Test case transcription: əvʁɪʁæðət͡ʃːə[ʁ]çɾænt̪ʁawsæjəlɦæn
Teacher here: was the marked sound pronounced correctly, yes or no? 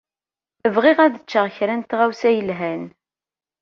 yes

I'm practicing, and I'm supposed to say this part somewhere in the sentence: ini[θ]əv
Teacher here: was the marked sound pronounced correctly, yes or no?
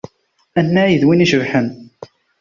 no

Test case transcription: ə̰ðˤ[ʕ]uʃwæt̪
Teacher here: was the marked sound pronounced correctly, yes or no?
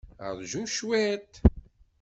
no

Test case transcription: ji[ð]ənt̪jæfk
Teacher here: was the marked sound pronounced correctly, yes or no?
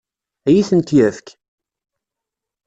no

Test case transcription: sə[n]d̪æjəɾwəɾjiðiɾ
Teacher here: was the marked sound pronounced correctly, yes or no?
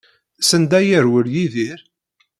yes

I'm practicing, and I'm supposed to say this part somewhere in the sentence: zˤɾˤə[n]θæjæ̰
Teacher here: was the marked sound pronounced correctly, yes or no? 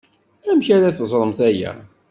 no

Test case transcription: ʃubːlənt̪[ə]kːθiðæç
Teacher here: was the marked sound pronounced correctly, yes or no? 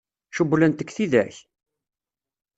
yes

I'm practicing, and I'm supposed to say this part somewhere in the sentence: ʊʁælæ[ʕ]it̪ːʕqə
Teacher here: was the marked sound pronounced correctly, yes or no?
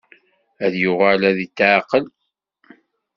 no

